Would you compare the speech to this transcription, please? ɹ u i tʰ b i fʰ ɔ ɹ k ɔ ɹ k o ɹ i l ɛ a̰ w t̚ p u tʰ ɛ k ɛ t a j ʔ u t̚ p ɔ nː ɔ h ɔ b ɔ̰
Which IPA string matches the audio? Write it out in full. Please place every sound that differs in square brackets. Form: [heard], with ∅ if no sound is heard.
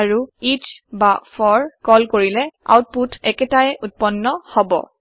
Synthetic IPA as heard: ɹ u i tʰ b [a] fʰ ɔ ɹ k ɔ [l] k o ɹ i l ɛ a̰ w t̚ p u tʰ ɛ k ɛ t a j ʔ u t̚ p ɔ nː ɔ h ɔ b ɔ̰